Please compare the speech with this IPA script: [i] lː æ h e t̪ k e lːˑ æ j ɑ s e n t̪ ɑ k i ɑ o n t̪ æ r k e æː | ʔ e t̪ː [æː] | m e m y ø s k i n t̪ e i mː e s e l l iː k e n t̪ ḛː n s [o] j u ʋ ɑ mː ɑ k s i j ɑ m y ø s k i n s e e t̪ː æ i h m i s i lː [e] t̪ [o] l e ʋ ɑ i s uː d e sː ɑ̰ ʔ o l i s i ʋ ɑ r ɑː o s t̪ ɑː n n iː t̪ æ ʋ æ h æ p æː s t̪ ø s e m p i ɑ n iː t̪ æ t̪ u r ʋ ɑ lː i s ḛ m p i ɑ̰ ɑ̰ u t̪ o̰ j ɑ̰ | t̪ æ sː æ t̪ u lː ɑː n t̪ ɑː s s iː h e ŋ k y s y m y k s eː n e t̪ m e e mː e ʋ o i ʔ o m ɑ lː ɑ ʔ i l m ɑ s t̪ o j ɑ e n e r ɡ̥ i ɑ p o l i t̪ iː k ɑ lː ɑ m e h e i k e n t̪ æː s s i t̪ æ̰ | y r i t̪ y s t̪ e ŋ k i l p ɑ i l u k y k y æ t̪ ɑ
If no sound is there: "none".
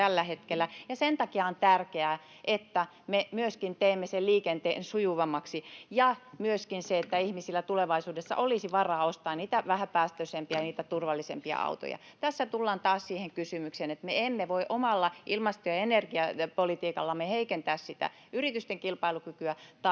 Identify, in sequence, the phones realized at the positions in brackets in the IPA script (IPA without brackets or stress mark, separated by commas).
æ, æ, u, æ, u